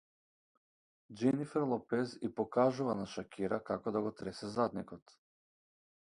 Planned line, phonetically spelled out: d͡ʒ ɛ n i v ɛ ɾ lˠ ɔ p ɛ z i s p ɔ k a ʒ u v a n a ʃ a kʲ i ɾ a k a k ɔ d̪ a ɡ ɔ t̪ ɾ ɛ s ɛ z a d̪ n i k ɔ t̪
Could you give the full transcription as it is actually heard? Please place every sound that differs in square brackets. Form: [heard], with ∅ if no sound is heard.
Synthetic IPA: d͡ʒ ɛ n i [f] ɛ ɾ lˠ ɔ p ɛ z i [∅] p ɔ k a ʒ u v a n a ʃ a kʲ i ɾ a k a k ɔ d̪ a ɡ ɔ t̪ ɾ ɛ s ɛ z a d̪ n i k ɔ t̪